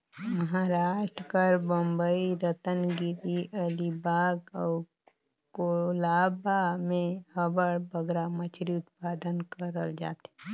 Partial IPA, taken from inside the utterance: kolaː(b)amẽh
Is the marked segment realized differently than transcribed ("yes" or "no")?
no